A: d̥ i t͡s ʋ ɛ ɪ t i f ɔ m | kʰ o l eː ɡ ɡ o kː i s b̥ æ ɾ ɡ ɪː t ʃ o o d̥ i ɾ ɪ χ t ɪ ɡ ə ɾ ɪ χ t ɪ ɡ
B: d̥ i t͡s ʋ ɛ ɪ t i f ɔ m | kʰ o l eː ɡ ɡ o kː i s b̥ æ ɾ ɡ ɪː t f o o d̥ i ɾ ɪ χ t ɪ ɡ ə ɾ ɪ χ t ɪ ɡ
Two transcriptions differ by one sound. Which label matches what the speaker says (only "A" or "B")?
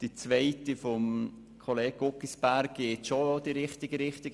A